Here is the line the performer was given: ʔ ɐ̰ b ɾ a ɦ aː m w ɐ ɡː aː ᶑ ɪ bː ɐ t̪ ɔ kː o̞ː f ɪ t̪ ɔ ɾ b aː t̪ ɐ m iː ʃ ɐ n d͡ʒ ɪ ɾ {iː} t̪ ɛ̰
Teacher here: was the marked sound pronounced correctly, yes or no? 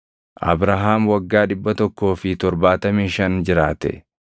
no